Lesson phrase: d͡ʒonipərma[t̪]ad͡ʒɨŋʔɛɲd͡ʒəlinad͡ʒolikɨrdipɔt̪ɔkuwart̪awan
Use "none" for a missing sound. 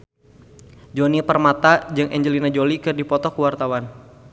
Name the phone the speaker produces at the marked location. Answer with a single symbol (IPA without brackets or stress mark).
t̪